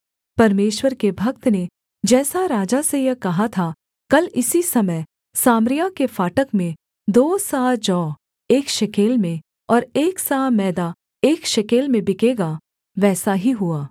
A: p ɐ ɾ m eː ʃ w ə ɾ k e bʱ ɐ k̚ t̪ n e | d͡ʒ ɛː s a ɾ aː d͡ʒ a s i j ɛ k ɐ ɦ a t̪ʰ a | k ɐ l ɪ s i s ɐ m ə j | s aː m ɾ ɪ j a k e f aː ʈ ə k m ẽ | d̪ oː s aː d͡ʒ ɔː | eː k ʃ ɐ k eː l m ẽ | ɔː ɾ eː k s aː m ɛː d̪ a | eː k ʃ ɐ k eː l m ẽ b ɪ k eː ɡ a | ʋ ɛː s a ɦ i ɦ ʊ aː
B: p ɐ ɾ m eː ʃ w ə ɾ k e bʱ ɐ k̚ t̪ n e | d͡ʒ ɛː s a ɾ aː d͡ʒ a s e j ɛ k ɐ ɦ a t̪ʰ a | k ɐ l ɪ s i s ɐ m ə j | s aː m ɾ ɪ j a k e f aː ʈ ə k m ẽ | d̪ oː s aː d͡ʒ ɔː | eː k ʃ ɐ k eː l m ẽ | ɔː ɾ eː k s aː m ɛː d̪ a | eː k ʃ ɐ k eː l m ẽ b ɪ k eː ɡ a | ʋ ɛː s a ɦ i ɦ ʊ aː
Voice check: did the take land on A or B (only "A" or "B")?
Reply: B